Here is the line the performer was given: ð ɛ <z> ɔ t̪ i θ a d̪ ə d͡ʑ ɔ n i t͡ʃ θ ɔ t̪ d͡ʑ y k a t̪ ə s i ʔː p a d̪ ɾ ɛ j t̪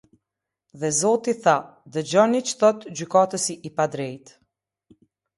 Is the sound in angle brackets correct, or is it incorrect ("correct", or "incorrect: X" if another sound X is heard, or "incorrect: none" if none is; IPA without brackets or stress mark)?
correct